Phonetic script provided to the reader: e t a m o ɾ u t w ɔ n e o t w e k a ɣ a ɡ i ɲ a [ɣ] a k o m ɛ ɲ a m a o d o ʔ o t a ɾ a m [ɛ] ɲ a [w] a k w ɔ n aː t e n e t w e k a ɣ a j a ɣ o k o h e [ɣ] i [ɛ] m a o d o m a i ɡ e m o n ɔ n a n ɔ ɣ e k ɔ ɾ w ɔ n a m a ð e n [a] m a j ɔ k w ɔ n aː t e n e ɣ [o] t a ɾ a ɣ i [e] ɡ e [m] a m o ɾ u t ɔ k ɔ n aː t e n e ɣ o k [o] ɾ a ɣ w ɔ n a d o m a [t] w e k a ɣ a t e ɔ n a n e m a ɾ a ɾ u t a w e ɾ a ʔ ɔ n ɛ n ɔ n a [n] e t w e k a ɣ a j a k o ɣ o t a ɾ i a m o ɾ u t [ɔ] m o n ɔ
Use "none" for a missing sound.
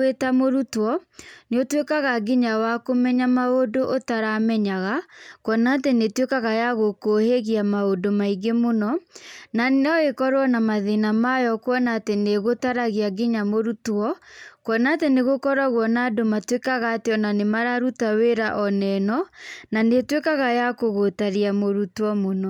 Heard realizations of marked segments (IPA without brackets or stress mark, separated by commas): w, ɛ, ɣ, ɣ, a, a, o, a, ɲ, ɔ, t, n, ɔ